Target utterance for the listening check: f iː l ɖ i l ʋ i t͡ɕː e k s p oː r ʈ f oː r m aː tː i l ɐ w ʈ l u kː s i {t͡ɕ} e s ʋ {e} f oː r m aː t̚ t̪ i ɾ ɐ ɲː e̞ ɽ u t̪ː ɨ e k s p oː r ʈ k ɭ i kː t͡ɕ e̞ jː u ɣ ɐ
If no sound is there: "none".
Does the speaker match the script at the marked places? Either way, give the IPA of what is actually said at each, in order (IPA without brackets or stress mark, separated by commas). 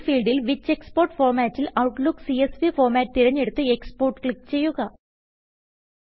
none, i